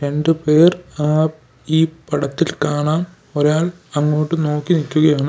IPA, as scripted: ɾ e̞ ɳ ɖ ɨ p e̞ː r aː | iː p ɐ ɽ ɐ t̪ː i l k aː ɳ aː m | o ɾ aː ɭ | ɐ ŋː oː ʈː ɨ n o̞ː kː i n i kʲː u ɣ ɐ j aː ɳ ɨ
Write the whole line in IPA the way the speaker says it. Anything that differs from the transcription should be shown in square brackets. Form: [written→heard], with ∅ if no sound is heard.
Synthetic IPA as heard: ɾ e̞ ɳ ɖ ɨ p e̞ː r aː | iː p ɐ ɽ ɐ t̪ː i l k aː ɳ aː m | o ɾ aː ɭ | ɐ ŋː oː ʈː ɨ n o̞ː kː i n i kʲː u ɣ ɐ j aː ɳ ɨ